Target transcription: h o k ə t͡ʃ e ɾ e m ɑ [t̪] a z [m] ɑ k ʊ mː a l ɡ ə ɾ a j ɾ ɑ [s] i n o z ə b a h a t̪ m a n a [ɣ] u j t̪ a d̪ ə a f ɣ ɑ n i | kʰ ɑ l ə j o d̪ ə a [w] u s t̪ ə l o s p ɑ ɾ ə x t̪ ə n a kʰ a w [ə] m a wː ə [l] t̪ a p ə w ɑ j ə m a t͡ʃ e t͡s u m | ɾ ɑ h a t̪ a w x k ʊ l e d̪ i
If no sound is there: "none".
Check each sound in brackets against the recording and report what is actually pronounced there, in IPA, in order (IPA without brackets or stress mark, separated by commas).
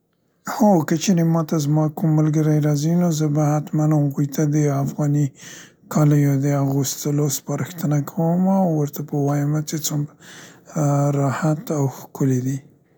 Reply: t̪, m, z, ɣ, ɣ, ə, ɾ